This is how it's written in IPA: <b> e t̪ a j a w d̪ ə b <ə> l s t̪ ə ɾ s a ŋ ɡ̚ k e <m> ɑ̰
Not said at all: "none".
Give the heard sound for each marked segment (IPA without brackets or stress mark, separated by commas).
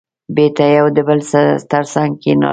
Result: b, ə, n